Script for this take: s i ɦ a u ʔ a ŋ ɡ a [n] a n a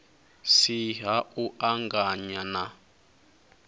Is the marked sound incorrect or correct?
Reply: incorrect